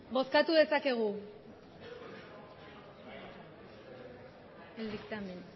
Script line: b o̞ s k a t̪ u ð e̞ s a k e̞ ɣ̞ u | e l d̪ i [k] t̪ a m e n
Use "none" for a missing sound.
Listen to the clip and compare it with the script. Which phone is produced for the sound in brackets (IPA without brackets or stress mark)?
k